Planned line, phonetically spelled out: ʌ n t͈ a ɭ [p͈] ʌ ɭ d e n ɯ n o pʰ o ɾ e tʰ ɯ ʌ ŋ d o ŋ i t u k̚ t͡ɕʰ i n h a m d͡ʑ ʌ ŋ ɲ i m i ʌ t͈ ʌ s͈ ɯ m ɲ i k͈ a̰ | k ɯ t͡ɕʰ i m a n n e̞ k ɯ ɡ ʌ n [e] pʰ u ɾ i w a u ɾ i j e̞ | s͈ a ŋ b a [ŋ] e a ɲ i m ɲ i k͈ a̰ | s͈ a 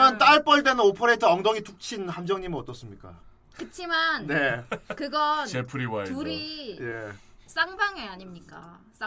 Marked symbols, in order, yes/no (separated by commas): yes, yes, yes